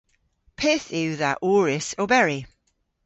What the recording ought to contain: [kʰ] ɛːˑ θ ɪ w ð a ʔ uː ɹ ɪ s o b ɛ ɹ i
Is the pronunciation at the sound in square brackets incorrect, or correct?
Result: incorrect